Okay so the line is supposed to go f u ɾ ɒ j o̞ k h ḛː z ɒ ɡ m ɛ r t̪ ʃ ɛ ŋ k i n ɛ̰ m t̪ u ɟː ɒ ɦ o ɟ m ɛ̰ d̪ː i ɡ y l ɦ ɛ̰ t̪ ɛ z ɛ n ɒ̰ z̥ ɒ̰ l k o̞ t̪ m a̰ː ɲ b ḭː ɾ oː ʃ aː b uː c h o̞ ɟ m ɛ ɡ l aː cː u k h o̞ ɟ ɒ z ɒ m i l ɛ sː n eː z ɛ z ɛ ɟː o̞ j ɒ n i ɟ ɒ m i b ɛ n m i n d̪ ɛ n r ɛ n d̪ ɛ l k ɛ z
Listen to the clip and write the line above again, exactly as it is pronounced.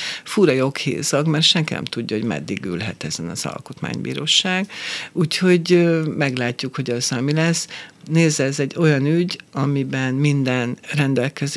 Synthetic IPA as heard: f u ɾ ɒ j o̞ k h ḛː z ɒ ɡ m ɛ r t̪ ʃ ɛ ŋ k i n ɛ̰ m t̪ u ɟː ɒ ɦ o ɟ m ɛ̰ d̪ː i ɡ y l ɦ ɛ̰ t̪ ɛ z ɛ n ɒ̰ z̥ ɒ̰ l k o̞ t̪ m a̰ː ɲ b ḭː ɾ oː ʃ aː ɡ uː c h o̞ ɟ m ɛ ɡ l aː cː u k h o̞ ɟ ɒ z ɒ m i l ɛ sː n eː z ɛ z ɛ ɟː o̞ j ɒ n y ɟ ɒ m i b ɛ n m i n d̪ ɛ n r ɛ n d̪ ɛ l k ɛ z